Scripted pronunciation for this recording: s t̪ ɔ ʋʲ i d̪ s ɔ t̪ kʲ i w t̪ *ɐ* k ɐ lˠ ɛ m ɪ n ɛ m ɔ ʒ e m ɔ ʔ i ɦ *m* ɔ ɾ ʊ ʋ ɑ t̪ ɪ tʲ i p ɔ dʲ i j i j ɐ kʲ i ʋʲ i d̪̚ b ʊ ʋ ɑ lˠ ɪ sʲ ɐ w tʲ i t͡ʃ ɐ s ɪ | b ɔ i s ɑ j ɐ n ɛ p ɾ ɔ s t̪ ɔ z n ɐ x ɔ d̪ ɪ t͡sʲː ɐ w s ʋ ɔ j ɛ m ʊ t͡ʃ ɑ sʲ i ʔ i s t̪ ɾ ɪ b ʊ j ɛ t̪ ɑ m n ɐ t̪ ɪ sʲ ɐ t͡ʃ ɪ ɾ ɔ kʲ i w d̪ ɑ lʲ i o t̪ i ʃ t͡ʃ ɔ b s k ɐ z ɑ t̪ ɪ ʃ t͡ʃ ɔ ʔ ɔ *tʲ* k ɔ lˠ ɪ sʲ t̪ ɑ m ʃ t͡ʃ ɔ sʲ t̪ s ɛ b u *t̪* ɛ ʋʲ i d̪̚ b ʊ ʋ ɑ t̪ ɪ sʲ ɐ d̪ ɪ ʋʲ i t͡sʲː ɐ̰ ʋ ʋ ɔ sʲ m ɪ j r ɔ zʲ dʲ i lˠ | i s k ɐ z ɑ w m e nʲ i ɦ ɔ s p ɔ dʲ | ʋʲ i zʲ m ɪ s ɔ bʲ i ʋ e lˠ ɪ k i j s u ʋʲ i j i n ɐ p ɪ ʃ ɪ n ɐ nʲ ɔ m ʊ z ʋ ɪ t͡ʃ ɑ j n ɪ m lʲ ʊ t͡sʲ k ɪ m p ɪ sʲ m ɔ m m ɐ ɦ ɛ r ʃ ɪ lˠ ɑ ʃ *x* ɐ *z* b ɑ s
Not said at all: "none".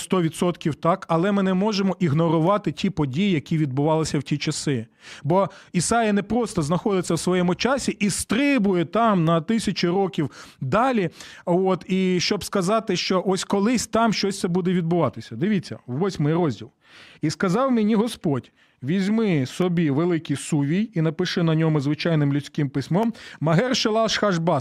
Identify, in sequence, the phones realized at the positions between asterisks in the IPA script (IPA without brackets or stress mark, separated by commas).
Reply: ɑ, n, sʲ, d̪, x, ʒ